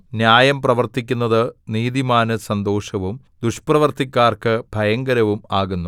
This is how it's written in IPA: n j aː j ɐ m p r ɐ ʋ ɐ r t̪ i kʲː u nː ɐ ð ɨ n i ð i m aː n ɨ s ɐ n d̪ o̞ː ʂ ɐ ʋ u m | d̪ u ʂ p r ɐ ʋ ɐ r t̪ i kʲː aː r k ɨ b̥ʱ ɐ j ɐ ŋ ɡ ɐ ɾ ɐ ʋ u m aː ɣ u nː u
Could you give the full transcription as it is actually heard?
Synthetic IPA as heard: n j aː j ɐ m p r ɐ ʋ ɐ r t̪ i kʲː u nː ɐ ð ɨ n iː ð i m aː n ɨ s ɐ n d̪ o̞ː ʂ ɐ ʋ u m | d̪ u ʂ p r ɐ ʋ ɐ r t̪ i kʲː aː r k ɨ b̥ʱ ɐ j ɐ ŋ ɡ ɐ ɾ ɐ ʋ u m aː ɣ u nː u